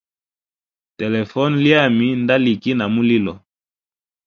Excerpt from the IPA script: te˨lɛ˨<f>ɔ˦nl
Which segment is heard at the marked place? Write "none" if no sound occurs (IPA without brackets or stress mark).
f